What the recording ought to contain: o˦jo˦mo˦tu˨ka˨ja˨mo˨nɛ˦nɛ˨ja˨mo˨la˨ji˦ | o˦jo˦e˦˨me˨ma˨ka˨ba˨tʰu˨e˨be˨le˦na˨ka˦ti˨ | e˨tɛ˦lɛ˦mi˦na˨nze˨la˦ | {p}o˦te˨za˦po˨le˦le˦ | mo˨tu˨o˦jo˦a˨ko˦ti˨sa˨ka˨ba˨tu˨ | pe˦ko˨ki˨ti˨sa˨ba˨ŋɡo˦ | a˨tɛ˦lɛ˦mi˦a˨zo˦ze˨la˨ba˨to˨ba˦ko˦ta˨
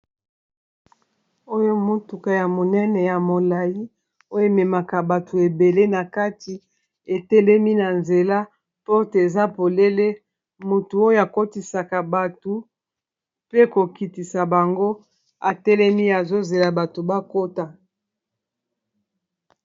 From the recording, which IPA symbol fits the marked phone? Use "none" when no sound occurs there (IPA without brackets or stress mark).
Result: p